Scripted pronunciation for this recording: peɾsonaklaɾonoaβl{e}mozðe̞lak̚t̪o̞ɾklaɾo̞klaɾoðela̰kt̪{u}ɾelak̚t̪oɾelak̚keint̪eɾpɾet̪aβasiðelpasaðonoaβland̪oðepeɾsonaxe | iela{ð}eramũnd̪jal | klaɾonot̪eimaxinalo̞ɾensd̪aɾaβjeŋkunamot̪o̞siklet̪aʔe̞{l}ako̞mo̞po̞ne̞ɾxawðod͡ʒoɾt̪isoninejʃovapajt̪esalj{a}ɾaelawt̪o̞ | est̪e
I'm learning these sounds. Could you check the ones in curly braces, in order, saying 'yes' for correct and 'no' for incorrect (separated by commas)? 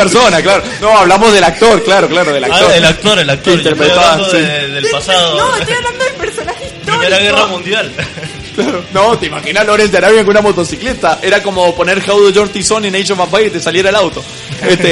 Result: no, no, no, no, no